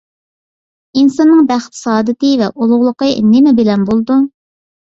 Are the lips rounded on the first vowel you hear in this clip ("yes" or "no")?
no